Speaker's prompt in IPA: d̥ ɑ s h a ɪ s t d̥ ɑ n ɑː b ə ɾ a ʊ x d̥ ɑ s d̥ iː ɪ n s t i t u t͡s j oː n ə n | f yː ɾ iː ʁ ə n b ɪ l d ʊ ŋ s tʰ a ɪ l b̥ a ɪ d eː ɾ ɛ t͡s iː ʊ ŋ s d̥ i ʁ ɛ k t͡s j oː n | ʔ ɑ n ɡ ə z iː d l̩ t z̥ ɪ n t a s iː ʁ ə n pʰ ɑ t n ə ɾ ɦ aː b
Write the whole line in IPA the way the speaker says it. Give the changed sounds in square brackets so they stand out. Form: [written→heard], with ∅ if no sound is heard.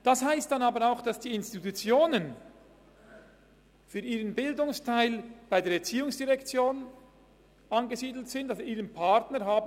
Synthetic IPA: d̥ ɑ s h a ɪ s t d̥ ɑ n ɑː b ə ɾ a ʊ x d̥ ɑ s d̥ iː ɪ n s t i t u t͡s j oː n ə n | f yː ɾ iː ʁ ə n b ɪ l d ʊ ŋ s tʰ a ɪ l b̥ a ɪ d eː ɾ ɛ t͡s iː ʊ ŋ s d̥ i ʁ ɛ k t͡s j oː n | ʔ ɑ n ɡ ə z iː d l̩ t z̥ ɪ n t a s iː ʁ ə n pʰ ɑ t n ə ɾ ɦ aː b

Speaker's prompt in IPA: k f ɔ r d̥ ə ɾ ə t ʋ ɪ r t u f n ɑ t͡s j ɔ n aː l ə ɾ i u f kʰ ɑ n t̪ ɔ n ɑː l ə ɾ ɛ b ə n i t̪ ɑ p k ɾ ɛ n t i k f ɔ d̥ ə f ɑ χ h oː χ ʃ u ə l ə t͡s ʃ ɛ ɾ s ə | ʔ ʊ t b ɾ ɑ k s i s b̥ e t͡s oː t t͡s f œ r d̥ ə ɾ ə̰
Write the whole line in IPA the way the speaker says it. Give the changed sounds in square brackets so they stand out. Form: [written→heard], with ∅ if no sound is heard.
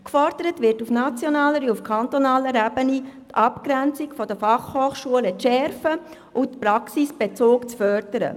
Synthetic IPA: k f ɔ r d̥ ə ɾ ə t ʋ ɪ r t u f n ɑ t͡s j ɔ n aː l ə ɾ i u f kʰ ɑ n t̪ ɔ n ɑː l ə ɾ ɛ b ə n i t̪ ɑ p k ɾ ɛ n [t→t͡s] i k f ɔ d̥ ə f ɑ χ h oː χ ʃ u ə l ə t͡s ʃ ɛ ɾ [s→f] ə | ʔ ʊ t [b→p] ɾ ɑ k s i s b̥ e t͡s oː [t→k] t͡s f œ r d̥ ə ɾ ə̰

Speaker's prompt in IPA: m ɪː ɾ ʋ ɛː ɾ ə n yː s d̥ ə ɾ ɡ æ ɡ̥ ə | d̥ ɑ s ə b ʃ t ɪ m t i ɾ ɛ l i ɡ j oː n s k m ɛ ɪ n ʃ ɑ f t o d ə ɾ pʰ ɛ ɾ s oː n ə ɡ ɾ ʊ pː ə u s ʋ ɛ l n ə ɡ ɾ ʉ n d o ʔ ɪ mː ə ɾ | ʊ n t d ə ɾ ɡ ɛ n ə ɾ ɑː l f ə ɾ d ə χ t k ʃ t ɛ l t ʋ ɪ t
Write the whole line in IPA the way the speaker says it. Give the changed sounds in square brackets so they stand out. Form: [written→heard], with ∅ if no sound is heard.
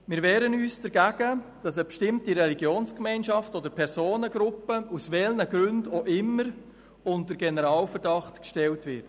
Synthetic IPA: m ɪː ɾ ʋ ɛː ɾ ə n yː s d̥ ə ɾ ɡ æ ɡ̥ ə | d̥ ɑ s ə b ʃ t ɪ m t i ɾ ɛ l i ɡ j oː n s k m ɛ ɪ n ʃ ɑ f t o d ə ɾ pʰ ɛ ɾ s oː n ə ɡ ɾ ʊ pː ə u s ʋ ɛ l n ə ɡ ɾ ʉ n d o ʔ ɪ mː ə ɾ | ʊ n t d ə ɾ ɡ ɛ n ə ɾ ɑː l f ə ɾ d [ə→ɑ] χ t k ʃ t ɛ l t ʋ ɪ t

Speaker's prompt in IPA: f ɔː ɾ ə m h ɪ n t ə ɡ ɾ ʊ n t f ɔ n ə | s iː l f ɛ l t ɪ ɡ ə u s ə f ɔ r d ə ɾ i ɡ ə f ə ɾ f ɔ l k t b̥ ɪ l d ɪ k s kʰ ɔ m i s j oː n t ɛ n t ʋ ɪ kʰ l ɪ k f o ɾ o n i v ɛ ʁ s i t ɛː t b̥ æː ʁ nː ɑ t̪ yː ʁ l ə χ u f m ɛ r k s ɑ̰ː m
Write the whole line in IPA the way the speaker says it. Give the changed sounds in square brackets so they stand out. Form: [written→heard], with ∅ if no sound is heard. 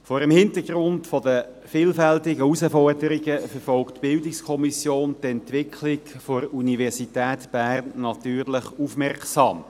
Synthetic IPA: f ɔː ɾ ə m h ɪ n t ə ɡ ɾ ʊ n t f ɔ [n→d] ə | [s→f] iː l f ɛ l t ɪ ɡ ə u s ə f ɔ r d ə ɾ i ɡ ə f ə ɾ f ɔ l k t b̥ ɪ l d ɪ k s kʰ ɔ m i s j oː n t ɛ n t ʋ ɪ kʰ l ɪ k f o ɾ [o→u] n i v ɛ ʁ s i t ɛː t b̥ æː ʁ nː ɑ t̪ yː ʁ l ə χ u f m ɛ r k s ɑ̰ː m

